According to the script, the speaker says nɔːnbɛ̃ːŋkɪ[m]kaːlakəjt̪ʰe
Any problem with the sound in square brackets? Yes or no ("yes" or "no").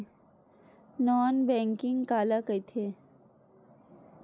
yes